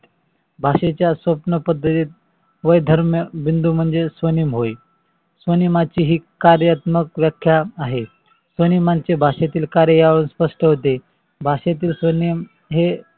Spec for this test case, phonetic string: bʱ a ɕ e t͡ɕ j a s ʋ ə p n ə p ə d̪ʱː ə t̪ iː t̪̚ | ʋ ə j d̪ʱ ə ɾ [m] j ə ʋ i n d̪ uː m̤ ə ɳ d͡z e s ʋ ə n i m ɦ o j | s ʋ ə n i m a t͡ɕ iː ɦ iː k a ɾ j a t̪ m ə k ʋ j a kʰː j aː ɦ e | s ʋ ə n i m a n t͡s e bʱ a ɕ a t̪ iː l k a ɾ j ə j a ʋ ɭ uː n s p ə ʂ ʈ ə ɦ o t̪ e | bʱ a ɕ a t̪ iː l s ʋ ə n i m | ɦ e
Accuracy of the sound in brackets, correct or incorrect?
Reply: correct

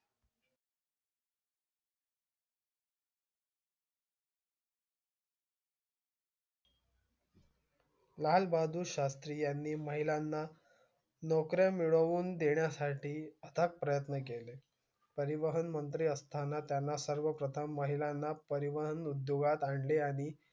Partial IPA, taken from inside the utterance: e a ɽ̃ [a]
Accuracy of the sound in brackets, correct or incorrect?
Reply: incorrect: i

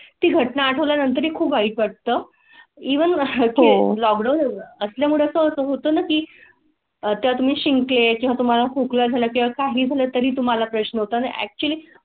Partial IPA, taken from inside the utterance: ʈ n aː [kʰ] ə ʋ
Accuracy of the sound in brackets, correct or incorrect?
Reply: incorrect: ʈʰ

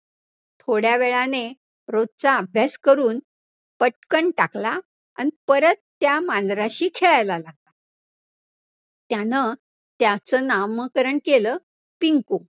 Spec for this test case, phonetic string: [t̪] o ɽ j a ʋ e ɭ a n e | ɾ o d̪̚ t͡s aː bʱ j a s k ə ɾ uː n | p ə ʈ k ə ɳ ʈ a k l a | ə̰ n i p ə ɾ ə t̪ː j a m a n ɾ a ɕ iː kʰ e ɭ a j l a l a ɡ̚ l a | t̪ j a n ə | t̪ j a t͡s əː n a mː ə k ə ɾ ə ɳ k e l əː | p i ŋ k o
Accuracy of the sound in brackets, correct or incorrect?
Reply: incorrect: t̪ʰ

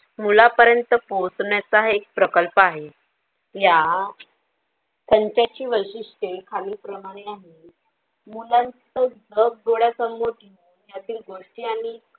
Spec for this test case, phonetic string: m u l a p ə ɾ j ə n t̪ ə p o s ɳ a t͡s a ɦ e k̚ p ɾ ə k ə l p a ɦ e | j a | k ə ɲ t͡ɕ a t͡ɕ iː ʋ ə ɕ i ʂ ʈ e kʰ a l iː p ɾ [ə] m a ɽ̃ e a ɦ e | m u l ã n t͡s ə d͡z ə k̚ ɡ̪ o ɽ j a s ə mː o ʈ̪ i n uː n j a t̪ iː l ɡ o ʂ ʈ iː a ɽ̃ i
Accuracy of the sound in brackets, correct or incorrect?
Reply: correct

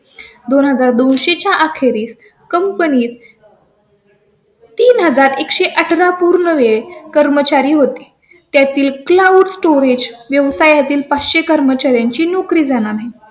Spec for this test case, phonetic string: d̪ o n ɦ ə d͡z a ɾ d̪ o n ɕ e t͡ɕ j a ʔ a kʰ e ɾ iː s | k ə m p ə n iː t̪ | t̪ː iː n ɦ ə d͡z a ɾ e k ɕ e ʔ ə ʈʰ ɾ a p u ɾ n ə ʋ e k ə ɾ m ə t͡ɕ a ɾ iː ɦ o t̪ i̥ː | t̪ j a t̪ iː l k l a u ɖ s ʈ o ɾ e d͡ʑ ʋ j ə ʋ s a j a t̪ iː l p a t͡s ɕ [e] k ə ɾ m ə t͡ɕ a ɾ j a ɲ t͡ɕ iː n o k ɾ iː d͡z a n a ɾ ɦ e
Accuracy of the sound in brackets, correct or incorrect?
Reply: correct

